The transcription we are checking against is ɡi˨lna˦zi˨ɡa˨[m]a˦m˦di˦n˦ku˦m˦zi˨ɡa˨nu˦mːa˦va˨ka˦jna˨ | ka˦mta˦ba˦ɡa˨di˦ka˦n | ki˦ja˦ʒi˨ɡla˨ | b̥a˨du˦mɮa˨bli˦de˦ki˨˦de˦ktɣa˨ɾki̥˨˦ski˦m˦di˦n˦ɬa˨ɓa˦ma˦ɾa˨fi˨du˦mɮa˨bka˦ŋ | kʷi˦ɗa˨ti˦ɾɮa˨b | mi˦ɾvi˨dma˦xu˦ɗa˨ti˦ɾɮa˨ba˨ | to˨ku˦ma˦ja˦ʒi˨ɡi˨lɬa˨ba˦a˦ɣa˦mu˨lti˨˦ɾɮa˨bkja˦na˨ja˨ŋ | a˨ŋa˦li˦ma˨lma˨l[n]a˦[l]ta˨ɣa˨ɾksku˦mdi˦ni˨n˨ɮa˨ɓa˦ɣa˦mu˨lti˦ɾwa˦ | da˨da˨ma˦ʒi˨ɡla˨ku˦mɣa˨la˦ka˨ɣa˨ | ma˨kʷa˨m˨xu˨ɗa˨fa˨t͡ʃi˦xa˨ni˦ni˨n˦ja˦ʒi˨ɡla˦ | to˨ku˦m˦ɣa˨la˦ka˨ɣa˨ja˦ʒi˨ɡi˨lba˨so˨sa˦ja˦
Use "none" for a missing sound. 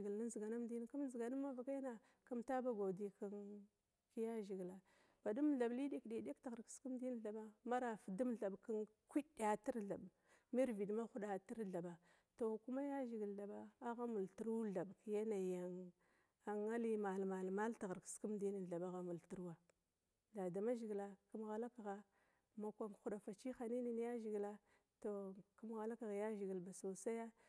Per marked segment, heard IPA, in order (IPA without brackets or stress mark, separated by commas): n, m, l